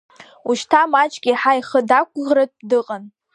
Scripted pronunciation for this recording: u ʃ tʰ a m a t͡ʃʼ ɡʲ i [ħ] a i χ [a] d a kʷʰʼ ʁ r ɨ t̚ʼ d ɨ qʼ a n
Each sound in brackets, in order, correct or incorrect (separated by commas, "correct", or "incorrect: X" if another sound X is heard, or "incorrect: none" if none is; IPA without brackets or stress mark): correct, incorrect: ə